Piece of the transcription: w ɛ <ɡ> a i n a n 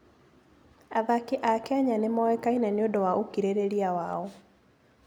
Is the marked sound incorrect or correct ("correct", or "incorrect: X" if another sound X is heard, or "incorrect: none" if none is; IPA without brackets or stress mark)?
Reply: incorrect: k